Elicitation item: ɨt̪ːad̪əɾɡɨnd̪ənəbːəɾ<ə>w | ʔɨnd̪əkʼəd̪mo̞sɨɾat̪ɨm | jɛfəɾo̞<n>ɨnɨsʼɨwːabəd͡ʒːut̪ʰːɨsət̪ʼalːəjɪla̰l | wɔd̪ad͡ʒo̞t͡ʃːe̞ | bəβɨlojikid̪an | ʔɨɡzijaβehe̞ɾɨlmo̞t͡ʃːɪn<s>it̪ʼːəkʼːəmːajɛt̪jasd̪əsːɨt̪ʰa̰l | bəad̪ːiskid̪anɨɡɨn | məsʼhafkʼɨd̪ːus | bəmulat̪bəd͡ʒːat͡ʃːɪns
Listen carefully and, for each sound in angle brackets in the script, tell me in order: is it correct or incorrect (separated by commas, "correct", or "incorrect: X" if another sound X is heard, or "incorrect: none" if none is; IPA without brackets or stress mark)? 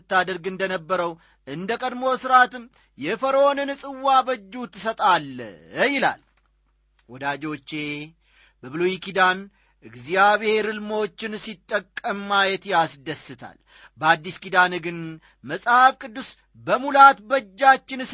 correct, correct, correct